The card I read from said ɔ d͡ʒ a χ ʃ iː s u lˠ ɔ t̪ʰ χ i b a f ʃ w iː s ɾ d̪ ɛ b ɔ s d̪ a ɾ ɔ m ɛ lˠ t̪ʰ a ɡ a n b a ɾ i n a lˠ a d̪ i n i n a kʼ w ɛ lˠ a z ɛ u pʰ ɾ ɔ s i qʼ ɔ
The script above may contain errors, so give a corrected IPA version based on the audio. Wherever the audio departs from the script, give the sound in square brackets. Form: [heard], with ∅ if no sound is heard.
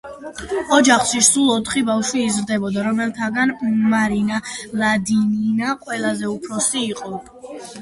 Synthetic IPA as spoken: ɔ d͡ʒ a χ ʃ [i] s u lˠ ɔ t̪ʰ χ i b a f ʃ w iː [z] ɾ d̪ ɛ b ɔ [∅] d̪ a ɾ ɔ m ɛ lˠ t̪ʰ a ɡ a n [m] a ɾ i n a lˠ a d̪ i n i n a [qʼ] w ɛ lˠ a z ɛ u pʰ ɾ ɔ s [iː] qʼ ɔ

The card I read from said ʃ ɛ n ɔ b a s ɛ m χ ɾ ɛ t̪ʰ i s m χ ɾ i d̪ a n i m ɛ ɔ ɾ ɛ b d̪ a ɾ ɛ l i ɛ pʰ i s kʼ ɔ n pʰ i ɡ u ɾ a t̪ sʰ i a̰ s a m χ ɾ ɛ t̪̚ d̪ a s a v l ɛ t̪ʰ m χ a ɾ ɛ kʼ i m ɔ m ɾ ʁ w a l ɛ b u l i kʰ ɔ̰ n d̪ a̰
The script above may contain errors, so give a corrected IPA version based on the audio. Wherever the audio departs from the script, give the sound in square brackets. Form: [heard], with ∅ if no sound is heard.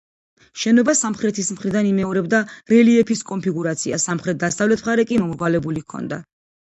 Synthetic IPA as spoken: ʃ ɛ n ɔ b a s [a] m χ ɾ ɛ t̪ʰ i s m χ ɾ i d̪ a n i m ɛ ɔ ɾ ɛ b d̪ a ɾ ɛ l i ɛ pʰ i s kʼ ɔ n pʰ i ɡ u ɾ a t̪ sʰ i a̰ s a m χ ɾ ɛ t̪̚ d̪ a s a v l ɛ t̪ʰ m χ a ɾ ɛ kʼ i m ɔ m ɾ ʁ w a l ɛ b u l i kʰ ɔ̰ n d̪ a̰

